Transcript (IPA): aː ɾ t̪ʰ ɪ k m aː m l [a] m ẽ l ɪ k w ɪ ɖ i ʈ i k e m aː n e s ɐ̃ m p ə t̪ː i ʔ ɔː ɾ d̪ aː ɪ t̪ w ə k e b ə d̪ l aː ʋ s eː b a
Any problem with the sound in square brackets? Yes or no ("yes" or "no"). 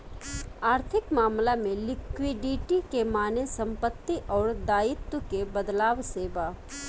no